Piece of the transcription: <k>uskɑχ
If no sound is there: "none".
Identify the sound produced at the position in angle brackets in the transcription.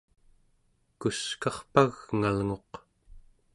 k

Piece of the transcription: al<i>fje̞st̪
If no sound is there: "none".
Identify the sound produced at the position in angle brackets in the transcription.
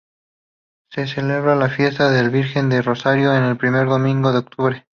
a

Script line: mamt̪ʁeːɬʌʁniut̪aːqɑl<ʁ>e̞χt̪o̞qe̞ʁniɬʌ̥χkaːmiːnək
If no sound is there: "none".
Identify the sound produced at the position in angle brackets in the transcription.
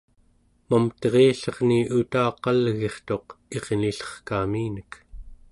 ɣ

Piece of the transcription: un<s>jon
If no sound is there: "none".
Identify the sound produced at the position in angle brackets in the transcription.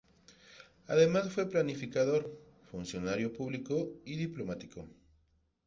s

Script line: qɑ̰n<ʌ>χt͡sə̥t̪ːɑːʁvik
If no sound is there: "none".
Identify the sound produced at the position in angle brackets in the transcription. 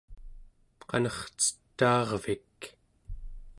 ʌ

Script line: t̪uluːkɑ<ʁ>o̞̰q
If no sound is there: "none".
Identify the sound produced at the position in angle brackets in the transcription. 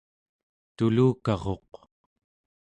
ʁ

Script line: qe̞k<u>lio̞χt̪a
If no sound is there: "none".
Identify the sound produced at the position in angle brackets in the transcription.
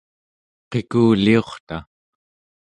uː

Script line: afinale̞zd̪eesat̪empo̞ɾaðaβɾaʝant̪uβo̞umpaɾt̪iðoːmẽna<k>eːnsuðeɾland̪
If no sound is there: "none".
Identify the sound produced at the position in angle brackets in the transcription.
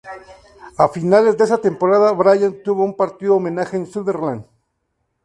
x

